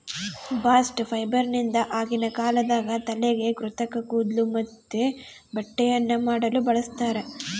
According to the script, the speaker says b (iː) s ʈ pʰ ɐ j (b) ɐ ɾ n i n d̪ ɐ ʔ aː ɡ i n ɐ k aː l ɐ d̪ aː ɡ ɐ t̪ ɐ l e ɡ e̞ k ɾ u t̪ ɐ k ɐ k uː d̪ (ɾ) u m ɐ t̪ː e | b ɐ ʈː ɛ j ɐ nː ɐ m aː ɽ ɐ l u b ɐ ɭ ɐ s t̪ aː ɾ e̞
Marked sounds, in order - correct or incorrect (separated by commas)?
incorrect, correct, incorrect